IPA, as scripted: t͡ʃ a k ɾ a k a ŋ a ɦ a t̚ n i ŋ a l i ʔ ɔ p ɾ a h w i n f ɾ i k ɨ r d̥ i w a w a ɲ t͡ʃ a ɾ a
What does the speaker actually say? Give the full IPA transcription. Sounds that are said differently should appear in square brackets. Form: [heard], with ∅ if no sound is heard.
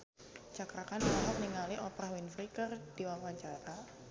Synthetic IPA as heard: t͡ʃ a k ɾ a k a [n] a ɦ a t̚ n i ŋ a l i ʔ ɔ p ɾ a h w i n f ɾ i k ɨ r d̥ i w a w a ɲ t͡ʃ a ɾ a